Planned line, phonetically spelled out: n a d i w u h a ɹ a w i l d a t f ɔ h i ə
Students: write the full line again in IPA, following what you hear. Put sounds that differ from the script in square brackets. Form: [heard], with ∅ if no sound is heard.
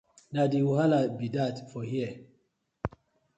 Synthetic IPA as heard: n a d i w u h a [l] a [b] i [∅] d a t f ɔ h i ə